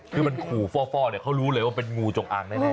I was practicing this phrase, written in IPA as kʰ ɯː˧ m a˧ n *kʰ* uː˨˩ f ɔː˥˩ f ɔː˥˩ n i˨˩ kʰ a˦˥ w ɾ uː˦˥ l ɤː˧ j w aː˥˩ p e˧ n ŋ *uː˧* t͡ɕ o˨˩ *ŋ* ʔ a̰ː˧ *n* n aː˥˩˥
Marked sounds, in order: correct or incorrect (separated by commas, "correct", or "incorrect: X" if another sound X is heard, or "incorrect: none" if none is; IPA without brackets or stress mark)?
correct, correct, correct, incorrect: ŋ